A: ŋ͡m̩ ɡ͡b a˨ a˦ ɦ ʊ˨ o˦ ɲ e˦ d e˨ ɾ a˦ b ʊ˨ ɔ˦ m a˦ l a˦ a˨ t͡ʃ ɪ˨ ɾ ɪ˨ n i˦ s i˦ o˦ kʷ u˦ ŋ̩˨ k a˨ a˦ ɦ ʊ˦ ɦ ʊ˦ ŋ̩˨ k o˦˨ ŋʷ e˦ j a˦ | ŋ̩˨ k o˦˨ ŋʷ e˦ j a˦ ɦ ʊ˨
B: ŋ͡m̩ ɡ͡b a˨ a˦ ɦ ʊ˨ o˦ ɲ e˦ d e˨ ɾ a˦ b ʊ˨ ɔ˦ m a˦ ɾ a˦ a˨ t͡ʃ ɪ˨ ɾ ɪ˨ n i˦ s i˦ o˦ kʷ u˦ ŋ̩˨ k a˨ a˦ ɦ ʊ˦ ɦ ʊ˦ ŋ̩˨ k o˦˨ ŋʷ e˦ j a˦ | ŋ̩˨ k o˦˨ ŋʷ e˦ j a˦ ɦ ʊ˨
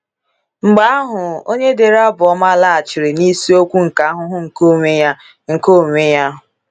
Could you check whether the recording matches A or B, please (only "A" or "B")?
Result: A